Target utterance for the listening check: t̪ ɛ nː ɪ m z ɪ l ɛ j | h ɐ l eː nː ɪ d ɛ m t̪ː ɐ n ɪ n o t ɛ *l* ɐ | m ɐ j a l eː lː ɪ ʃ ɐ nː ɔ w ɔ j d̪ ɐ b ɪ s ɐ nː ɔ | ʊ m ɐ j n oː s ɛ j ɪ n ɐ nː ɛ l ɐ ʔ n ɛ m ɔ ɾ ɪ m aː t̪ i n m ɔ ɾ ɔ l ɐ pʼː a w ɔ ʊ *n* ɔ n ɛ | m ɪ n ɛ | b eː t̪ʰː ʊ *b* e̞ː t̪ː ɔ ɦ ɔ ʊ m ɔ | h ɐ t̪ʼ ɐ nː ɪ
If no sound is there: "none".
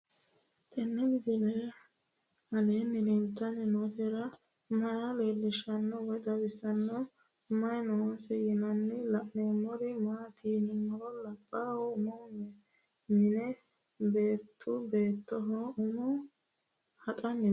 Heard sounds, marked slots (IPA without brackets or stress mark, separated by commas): ɾ, m, b